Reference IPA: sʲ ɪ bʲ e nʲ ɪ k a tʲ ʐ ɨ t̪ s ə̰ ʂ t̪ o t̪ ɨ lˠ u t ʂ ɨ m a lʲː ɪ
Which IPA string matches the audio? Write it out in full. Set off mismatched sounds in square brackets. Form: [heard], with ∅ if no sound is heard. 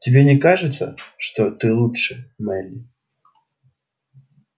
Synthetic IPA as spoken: [tʲ] ɪ bʲ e nʲ ɪ k a [∅] ʐ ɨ t̪ s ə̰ ʂ t̪ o t̪ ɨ lˠ u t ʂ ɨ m [ɛ] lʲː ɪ